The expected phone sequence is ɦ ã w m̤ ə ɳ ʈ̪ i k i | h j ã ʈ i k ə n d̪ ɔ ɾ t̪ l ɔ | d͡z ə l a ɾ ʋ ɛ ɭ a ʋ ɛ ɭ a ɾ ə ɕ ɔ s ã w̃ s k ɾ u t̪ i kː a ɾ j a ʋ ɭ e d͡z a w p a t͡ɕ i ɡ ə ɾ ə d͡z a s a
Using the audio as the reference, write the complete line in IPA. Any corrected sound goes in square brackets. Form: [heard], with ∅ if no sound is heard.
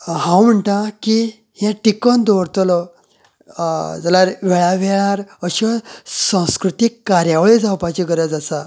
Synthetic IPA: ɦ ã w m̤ ə ɳ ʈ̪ [a] k i | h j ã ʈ i k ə n d̪ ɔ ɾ t̪ l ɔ | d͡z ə l a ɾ ʋ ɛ ɭ a ʋ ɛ ɭ a ɾ ə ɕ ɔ s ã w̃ s k ɾ u t̪ i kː a ɾ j a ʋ ɭ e d͡z a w p a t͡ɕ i ɡ ə ɾ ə d͡z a s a